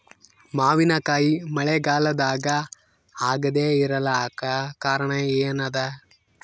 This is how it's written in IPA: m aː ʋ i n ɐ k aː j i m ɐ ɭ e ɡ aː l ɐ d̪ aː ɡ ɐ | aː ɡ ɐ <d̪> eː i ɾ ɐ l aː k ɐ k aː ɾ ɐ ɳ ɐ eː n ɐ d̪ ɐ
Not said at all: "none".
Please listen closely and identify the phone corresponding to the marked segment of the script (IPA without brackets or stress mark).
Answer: d̪